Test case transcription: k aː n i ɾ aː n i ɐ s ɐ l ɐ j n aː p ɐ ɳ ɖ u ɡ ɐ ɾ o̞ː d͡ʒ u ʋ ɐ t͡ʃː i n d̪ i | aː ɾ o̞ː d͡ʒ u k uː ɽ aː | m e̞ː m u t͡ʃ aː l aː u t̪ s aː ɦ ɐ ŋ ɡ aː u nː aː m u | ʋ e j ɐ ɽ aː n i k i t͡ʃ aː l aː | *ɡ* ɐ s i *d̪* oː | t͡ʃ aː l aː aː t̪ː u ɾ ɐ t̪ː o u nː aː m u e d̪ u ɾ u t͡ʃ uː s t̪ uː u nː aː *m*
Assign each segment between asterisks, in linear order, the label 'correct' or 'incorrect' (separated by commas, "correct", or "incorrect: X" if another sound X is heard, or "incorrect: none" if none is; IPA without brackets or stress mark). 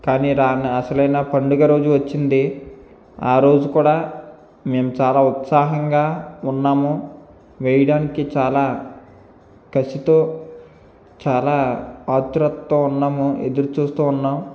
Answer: incorrect: k, incorrect: t̪, correct